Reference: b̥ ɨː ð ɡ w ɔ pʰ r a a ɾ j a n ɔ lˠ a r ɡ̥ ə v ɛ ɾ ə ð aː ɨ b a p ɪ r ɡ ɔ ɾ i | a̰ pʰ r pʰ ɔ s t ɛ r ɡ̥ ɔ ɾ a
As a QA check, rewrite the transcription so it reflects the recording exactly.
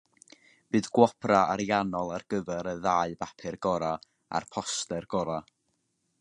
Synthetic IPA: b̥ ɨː ð ɡ w ɔ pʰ r a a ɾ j a n ɔ lˠ a r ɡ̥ ə v ɛ ɾ ə ð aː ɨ b a pʰ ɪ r ɡ ɔ ɾ a | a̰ r pʰ ɔ s t ɛ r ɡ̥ ɔ ɾ a